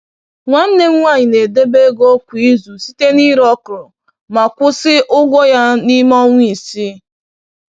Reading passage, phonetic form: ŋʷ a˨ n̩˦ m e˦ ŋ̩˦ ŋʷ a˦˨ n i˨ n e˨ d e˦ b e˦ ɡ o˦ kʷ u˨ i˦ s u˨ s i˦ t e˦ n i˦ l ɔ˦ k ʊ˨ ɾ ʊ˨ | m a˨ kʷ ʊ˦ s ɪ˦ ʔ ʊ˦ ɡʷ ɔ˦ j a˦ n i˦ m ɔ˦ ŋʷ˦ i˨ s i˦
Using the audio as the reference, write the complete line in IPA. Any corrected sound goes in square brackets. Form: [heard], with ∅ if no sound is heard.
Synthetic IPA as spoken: ŋʷ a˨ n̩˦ [n] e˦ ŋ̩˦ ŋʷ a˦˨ [ɲ] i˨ n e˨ d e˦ b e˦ ɡ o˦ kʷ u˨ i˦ [z] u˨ s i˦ t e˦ n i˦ [ɾ] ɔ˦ k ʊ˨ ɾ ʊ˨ | m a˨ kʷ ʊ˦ s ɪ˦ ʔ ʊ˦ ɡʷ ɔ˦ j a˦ n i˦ m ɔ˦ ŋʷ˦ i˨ s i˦